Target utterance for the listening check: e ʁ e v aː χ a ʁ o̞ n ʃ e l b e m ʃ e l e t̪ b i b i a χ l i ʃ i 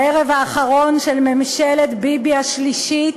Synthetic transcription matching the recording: e ʁ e v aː χ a ʁ o̞ n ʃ e l m e m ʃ e l e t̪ b i b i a ʃ l i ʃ i